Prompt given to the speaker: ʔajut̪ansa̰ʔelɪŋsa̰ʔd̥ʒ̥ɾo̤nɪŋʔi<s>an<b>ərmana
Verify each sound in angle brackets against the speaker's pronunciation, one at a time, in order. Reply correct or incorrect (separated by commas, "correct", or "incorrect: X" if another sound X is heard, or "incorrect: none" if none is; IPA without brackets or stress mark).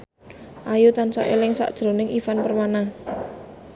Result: incorrect: f, incorrect: p